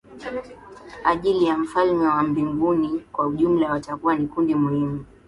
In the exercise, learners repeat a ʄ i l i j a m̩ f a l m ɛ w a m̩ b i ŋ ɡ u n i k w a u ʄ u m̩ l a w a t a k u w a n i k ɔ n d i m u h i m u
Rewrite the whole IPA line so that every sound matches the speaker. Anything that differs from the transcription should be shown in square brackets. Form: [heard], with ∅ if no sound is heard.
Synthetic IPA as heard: a ʄ i l i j a m̩ f a l m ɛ w a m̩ b i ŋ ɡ u n i k w a u ʄ u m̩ l a w a t a k u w a n i k [u] n d i m u h i m u